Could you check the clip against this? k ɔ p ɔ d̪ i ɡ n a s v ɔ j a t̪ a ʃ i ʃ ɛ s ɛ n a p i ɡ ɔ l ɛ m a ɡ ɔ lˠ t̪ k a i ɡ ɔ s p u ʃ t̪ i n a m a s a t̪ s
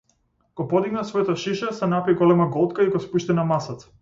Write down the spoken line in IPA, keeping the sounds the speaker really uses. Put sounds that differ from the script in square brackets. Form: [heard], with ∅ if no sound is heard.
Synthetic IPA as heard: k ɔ p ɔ d̪ i ɡ n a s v ɔ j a t̪ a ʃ i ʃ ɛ s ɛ n a p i ɡ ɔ l ɛ m a ɡ ɔ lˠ t̪ k a i ɡ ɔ s p u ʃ t̪ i n a m a s a t̪ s